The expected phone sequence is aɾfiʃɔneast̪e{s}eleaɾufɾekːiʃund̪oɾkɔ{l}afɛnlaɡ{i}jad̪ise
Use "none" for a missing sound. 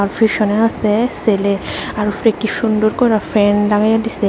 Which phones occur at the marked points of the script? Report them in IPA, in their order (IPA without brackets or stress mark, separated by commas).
s, ɾ, a